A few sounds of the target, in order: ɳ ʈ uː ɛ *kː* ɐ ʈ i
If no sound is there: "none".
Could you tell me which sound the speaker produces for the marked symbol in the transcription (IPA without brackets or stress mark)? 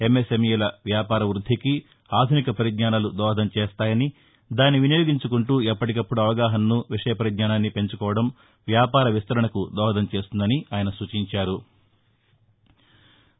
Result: pː